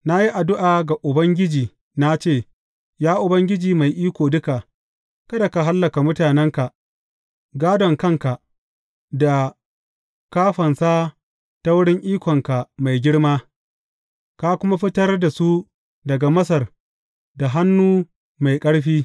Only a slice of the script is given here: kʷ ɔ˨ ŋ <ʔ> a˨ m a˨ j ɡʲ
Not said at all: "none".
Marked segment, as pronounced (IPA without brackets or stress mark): k